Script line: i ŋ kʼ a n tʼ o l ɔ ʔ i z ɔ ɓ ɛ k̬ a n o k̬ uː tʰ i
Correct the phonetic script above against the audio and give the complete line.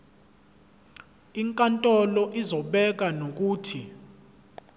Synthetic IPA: i ŋ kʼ a n tʼ ɔ l ɔ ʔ i z ɔ ɓ ɛ k̬ a n o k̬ uː tʰ i